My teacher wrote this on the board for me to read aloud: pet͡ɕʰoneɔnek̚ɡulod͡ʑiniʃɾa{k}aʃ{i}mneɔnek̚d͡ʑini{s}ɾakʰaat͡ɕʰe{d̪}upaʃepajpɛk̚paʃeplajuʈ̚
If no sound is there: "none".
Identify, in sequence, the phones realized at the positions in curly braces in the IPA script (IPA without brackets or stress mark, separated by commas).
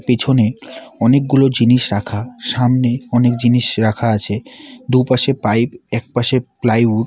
kʰ, a, ʃ, d̪